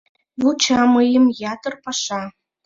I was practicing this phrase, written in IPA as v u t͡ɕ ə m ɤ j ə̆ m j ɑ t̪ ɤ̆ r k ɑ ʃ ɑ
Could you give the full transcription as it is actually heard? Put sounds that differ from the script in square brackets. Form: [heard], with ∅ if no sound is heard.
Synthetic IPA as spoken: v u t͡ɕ [ɑ] m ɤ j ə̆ m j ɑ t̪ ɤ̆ r [p] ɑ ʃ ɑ